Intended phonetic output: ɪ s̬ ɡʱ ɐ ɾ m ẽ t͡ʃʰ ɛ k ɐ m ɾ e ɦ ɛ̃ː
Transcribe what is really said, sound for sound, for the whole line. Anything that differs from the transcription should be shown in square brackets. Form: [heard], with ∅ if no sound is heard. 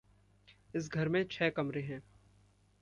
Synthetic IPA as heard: ɪ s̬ ɡʱ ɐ ɾ m ẽ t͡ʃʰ [ɛː] k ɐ m ɾ e ɦ ɛ̃ː